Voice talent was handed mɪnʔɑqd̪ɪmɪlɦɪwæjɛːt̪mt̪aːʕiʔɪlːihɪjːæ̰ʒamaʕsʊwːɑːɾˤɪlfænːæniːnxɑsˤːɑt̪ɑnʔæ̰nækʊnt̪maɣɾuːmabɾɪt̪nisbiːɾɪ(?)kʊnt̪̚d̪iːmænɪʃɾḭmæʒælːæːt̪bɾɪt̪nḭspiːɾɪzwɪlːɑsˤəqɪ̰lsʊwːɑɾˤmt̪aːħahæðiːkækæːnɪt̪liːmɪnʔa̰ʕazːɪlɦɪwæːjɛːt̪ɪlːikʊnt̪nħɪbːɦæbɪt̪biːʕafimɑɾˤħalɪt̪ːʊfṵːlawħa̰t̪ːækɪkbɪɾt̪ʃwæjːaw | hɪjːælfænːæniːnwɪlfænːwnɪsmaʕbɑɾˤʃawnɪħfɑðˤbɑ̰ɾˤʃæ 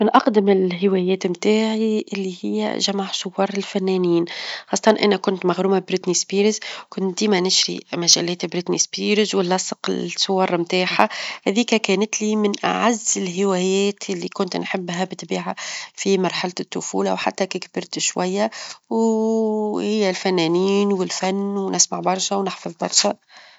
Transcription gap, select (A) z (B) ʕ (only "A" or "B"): A